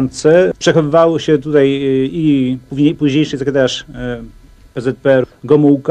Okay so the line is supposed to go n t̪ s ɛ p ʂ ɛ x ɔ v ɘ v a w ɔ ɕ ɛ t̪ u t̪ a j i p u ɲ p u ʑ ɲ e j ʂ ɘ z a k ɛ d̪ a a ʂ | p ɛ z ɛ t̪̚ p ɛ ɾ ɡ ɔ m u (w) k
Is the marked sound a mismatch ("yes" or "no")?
no